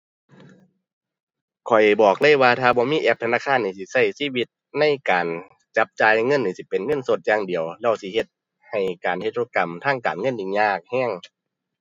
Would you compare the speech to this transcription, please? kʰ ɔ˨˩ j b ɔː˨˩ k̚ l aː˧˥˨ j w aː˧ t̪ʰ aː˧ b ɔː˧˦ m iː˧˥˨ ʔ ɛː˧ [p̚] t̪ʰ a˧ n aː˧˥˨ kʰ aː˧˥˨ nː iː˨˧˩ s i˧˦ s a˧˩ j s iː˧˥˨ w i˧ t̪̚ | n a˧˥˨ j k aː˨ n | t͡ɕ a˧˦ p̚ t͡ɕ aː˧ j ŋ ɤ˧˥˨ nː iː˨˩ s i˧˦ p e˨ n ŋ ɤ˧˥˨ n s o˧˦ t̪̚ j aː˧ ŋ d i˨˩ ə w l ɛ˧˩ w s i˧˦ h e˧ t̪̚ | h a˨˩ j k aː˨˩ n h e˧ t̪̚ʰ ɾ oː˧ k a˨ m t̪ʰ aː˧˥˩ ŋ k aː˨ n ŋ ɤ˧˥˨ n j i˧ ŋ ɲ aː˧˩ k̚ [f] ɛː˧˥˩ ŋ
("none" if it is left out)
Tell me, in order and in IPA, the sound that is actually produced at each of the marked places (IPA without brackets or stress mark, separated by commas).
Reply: p̚, h